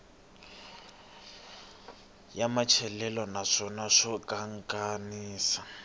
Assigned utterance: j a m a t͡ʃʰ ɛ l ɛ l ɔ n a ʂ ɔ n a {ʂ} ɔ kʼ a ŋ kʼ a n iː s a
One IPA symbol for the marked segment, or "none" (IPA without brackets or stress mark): ʂ